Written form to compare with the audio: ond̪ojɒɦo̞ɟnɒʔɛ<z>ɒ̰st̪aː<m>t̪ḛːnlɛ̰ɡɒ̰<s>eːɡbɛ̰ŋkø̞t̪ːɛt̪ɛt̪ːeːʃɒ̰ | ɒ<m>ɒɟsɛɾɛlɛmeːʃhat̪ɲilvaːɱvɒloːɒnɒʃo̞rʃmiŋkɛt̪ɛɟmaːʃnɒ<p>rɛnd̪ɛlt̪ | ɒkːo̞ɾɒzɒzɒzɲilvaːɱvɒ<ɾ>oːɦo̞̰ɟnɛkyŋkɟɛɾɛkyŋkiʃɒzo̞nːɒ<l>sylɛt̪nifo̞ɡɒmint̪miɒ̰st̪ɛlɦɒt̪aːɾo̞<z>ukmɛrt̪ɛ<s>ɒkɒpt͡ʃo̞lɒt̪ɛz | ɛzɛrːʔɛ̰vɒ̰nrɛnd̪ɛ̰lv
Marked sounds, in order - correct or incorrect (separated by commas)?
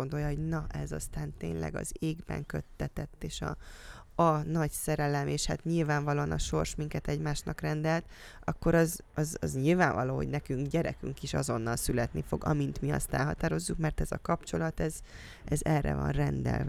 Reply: correct, incorrect, incorrect, incorrect, incorrect, incorrect, correct, incorrect, incorrect